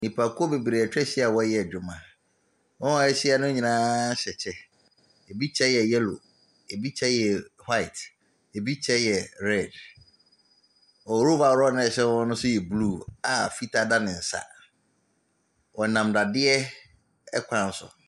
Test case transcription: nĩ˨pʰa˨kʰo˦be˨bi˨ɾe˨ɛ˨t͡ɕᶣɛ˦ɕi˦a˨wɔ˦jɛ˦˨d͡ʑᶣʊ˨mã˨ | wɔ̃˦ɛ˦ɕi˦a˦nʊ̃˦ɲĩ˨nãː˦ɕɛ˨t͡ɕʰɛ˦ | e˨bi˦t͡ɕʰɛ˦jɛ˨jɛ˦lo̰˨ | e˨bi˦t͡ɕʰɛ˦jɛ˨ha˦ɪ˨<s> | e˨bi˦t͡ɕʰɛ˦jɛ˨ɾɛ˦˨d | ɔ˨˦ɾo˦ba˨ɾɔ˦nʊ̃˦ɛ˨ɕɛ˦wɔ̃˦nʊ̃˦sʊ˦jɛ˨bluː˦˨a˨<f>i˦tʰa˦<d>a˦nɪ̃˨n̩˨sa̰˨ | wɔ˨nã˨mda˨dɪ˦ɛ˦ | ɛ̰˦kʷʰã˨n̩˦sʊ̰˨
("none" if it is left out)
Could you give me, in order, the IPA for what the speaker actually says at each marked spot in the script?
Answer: t, f, d

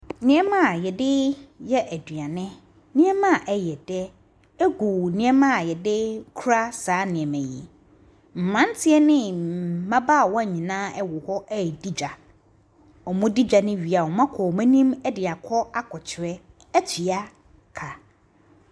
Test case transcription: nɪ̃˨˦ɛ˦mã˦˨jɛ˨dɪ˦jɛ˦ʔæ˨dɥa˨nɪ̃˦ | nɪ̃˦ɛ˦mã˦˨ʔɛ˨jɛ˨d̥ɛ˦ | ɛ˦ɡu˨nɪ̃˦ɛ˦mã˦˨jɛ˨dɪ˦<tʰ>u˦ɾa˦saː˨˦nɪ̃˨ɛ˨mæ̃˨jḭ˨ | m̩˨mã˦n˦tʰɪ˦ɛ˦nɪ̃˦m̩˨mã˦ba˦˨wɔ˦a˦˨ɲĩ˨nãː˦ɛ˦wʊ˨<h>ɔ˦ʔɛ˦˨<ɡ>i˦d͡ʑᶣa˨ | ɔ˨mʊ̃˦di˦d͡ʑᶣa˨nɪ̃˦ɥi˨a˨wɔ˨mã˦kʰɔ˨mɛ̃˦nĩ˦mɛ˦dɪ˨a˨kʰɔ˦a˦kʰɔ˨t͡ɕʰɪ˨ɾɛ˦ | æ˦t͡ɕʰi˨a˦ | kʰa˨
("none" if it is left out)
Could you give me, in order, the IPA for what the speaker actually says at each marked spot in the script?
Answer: kʰ, h, d

